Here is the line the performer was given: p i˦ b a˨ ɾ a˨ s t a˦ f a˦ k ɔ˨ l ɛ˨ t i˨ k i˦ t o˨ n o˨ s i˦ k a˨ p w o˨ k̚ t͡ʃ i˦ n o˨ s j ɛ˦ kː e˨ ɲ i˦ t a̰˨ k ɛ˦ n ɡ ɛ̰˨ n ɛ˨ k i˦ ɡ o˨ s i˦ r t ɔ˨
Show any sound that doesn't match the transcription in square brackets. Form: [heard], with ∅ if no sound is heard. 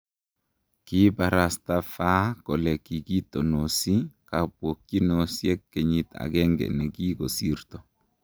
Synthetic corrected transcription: [k] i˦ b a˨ ɾ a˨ s t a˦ f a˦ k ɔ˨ l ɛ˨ [k] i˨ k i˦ t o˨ n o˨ s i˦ k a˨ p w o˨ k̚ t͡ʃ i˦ n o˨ s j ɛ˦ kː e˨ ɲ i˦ t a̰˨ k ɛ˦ [ŋ] ɡ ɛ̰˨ n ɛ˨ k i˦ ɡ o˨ s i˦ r t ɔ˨